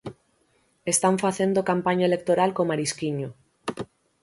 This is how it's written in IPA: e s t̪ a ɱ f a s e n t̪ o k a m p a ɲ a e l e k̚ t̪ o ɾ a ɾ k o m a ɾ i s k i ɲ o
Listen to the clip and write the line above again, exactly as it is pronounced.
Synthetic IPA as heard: e s t̪ a ɱ f a θ e n d̪ o k a m p a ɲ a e l e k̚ t̪ o ɾ a l k o m a ɾ i s k i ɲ o